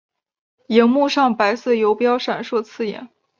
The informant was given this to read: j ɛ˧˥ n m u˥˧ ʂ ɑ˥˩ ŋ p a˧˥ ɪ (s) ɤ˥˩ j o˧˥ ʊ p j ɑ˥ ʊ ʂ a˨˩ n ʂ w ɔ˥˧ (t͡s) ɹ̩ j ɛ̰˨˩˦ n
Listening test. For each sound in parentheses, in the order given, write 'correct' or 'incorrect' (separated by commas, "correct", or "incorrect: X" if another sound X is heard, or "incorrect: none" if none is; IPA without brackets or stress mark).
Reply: correct, incorrect: t͡sʰ